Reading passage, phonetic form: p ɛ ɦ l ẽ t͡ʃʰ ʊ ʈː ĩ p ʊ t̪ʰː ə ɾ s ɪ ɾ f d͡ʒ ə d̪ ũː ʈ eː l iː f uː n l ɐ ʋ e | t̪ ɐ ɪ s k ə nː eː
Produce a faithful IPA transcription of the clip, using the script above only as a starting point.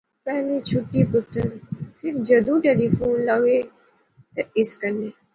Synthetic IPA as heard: p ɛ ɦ l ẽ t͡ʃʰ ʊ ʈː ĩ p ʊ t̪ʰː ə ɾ s ɪ ɾ f d͡ʒ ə d̪ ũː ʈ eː l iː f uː n l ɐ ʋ e | t̪ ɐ ɪ s k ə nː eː